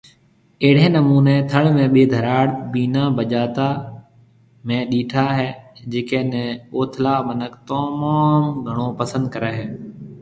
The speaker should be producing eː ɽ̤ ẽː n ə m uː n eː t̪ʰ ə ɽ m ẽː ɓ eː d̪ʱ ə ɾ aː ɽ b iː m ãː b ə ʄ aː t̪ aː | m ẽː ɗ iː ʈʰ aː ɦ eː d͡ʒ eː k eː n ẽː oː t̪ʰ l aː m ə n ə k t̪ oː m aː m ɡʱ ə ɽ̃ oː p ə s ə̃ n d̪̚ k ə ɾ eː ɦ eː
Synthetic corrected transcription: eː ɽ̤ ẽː n ə m uː n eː t̪ʰ ə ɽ m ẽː ɓ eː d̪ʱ ə ɾ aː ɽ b iː n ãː b ə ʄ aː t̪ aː | m ẽː ɗ iː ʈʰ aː ɦ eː d͡ʒ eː k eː n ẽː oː t̪ʰ l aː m ə n ə k t̪ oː m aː m ɡʱ ə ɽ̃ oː p ə s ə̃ n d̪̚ k ə ɾ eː ɦ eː